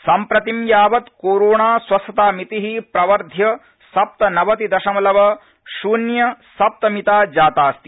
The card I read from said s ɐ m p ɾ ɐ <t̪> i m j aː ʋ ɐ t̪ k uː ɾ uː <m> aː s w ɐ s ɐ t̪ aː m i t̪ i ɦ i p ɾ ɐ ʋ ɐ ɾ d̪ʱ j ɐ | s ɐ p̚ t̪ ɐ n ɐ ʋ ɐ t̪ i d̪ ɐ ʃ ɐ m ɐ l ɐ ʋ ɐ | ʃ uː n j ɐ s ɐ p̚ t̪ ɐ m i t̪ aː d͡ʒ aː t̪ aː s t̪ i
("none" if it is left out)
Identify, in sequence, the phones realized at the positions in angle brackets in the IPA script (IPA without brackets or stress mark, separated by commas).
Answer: t̪, ɳ